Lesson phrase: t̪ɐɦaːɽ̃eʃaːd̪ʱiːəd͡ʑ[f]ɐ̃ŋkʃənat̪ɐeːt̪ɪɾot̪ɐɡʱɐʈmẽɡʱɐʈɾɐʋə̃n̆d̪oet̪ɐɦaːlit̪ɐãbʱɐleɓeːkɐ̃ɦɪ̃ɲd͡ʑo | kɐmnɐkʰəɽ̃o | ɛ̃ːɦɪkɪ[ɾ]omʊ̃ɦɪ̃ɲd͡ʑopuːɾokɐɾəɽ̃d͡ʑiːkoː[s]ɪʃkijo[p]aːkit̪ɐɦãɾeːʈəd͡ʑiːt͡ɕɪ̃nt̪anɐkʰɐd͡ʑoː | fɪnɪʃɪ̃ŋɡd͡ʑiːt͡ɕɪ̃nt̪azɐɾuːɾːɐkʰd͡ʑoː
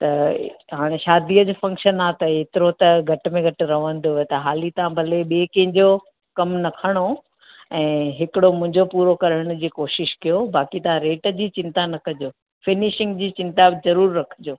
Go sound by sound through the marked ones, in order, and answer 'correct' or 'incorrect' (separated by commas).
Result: correct, incorrect, incorrect, incorrect